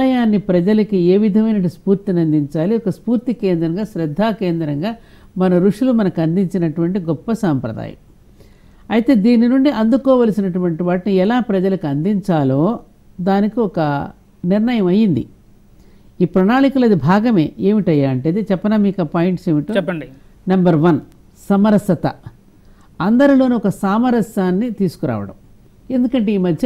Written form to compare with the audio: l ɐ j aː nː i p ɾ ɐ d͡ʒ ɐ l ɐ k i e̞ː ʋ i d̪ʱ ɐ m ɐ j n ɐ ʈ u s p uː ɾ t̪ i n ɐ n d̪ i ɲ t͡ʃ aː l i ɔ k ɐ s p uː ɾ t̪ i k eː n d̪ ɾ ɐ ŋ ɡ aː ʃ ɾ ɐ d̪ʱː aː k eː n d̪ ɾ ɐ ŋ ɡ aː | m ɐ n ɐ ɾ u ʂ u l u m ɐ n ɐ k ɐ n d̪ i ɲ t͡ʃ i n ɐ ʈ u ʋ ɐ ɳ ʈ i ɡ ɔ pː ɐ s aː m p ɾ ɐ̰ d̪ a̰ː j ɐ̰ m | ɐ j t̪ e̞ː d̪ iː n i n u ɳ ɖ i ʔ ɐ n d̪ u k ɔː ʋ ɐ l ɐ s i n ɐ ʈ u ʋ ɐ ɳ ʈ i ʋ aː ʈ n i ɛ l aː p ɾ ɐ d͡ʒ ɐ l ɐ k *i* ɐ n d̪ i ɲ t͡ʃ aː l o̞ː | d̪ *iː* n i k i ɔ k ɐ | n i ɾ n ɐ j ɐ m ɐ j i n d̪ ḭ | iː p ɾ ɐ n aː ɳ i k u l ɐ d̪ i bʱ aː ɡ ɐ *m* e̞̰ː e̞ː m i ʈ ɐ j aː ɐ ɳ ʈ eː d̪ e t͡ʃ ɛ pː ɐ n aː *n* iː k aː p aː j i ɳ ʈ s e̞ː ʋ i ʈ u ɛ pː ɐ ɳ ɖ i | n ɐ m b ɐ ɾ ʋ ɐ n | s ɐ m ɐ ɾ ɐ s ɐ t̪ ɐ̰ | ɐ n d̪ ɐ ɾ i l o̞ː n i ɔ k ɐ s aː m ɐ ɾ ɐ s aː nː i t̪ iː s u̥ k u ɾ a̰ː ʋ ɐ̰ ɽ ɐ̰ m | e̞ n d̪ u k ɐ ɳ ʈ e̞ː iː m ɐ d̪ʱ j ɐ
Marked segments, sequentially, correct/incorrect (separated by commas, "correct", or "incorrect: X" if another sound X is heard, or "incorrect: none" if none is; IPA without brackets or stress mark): correct, incorrect: aː, correct, incorrect: m